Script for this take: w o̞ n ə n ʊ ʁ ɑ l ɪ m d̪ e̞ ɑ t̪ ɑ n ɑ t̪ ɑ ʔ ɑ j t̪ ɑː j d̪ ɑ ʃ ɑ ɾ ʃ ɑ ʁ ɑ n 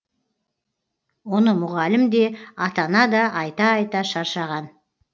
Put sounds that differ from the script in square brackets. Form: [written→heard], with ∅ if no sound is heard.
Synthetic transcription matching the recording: w o̞ n ə [n→m] ʊ ʁ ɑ l ɪ m d̪ e̞ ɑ t̪ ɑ n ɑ [t̪→d̪] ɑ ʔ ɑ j t̪ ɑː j [d̪→t̪] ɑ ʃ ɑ ɾ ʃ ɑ ʁ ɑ n